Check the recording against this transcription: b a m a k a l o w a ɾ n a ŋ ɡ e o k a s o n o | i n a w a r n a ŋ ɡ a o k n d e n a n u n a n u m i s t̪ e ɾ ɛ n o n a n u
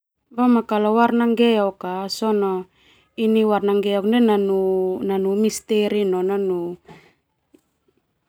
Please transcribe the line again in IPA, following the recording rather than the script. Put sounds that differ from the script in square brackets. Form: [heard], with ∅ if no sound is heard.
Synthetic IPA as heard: b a m a k a l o w a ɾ n a ŋ ɡ e o k a s o n o | i n [i] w a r n a ŋ ɡ [e] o k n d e n a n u n a n u m i s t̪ e ɾ [i] n o n a n u

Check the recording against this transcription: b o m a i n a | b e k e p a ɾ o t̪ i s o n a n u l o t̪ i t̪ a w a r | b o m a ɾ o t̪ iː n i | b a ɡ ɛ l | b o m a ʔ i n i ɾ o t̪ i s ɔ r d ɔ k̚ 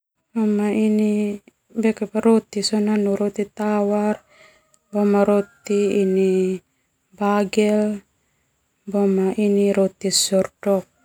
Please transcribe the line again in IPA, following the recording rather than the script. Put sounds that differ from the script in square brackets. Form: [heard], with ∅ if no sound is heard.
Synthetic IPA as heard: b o m a i n [i] | b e k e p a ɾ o t̪ i s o n a n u [ɾ] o t̪ i t̪ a w a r | b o m a ɾ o t̪ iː n i | b a ɡ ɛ l | b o m a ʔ i n i ɾ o t̪ i s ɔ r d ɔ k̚

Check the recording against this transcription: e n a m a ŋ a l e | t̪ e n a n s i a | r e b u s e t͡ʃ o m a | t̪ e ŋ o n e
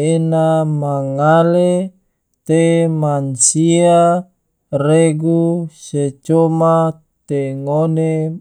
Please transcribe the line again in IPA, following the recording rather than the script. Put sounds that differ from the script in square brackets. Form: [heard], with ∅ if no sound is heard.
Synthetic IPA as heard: e n a m a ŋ a l e | t̪ e [m] a n s i a | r e [ɡ] u s e t͡ʃ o m a | t̪ e ŋ o n e

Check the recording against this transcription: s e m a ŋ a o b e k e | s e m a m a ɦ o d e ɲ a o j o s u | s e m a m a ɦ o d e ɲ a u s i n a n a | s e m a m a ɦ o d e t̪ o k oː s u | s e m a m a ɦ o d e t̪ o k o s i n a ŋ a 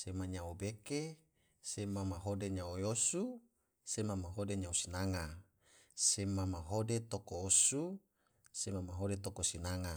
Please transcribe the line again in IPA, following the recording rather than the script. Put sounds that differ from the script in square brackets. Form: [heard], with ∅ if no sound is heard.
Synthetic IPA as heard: s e m a [ɲ] a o b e k e | s e m a m a ɦ o d e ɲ a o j o s u | s e m a m a ɦ o d e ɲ a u s i n a [ŋ] a | s e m a m a ɦ o d e t̪ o k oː s u | s e m a m a ɦ o d e t̪ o k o s i n a ŋ a

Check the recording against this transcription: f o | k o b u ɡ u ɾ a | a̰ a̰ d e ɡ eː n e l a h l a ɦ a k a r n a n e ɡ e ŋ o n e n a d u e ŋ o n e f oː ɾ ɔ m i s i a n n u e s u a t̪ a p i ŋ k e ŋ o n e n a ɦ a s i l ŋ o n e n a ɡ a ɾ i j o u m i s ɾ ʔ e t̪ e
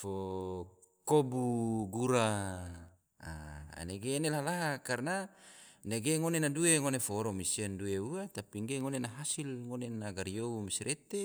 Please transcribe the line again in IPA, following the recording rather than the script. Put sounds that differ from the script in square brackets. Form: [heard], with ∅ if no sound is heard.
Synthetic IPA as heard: f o | k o b u ɡ u ɾ a | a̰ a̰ [n] e ɡ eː n e l a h l a ɦ a k a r n a n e ɡ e ŋ o n e n a d u e ŋ o n e f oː ɾ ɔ m i s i a n [d] u e [∅] u a t̪ a p i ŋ [ɡ] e ŋ o n e n a ɦ a s i l ŋ o n e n a ɡ a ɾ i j o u m i s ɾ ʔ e t̪ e

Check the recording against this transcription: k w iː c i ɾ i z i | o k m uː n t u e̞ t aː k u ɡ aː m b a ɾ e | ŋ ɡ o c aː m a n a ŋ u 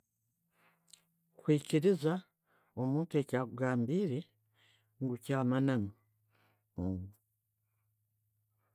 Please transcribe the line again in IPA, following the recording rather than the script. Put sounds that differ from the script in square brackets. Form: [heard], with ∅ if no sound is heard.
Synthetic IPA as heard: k w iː c i ɾ i z [a] | o [∅] m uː n t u e̞ [c] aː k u ɡ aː m b [i] ɾ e | ŋ ɡ [u] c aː m a n a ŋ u

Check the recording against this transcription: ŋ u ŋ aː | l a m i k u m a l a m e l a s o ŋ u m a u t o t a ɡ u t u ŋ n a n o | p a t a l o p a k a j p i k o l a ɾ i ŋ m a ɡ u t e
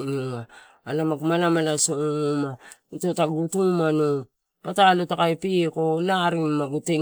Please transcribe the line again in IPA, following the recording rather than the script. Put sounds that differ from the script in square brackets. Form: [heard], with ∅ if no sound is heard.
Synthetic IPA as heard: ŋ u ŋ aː | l a m [a] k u m a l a m [a] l a s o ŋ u m a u t o t a ɡ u t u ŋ [m] a n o | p a t a l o [t] a k a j p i k o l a ɾ i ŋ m a ɡ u t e

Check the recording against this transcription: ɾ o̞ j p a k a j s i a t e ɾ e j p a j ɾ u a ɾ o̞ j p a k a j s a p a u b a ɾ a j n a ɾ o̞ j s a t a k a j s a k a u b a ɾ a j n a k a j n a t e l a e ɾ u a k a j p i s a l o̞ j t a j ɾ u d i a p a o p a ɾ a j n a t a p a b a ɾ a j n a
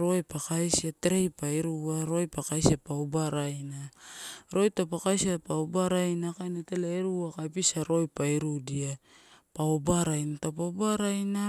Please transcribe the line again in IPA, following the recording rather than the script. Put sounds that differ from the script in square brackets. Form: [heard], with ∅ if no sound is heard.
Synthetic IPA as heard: ɾ o̞ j p a k a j s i a t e ɾ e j p a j ɾ u a ɾ o̞ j p a k a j s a p a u b a ɾ a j n a ɾ o̞ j [t] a [p] a k a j s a [p] a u b a ɾ a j n a k a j n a t e l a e ɾ u a k a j p i s a [ɾ] o̞ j [p] a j ɾ u d i a p a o [b] a ɾ a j n a t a p a b a ɾ a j n a

